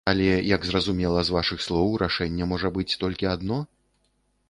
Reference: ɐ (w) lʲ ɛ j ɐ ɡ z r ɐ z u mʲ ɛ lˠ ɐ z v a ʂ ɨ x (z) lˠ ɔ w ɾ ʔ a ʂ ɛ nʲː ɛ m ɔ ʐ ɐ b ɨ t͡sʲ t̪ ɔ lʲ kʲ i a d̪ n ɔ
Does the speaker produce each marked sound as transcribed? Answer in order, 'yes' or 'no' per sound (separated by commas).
no, no